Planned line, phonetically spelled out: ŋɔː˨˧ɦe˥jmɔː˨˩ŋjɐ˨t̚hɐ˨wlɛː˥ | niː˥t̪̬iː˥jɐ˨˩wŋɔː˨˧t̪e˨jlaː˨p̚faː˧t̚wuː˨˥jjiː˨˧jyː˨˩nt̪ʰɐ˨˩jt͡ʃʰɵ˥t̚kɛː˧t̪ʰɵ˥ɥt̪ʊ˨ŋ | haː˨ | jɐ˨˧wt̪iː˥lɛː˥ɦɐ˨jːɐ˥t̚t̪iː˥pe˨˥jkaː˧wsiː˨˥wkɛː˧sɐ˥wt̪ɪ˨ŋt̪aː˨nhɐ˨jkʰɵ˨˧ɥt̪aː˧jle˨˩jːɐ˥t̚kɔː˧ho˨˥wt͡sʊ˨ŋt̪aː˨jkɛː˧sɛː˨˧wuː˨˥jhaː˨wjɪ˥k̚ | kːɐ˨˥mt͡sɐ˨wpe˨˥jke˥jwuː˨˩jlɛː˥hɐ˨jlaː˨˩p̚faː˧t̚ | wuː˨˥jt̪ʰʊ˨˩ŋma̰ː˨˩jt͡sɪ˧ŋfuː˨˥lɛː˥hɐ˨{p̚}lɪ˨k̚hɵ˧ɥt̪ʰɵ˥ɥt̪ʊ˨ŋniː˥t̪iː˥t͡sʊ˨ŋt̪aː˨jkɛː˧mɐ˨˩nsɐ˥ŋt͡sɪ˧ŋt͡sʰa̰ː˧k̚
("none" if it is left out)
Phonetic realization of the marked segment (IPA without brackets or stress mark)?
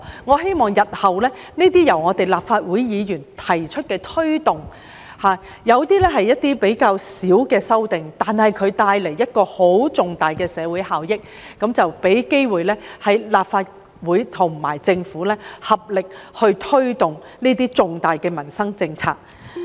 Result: p̚